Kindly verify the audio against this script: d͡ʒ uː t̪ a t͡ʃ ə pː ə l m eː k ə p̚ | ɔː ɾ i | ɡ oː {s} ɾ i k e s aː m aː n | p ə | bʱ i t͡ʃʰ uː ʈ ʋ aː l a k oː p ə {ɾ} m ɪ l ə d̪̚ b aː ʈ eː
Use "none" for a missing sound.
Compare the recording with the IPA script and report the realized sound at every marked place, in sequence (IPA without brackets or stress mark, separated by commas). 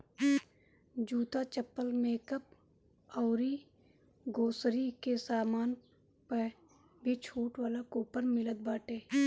s, ɾ